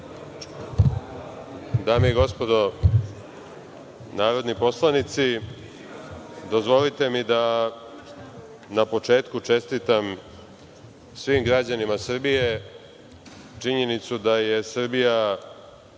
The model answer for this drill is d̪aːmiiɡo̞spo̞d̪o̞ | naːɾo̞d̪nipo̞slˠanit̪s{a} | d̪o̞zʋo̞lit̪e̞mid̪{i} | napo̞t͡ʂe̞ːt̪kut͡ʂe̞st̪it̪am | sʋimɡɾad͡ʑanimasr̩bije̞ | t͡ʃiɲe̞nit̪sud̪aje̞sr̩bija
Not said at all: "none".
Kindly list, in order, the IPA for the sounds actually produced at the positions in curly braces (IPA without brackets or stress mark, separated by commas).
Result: i, a